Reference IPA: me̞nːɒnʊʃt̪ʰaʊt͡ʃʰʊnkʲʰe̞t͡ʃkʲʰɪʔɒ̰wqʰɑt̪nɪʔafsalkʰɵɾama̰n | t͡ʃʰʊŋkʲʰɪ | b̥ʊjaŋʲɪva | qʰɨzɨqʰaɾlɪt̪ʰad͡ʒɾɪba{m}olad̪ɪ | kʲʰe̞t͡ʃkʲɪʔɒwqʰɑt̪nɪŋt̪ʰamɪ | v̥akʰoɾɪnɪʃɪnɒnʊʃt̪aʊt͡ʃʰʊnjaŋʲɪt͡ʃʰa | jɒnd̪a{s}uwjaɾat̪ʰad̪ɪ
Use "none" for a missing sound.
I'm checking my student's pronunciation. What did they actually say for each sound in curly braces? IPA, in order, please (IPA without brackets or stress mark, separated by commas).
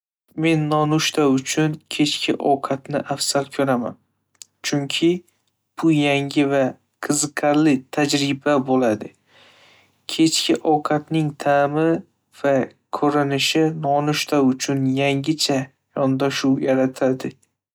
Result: b, ʃ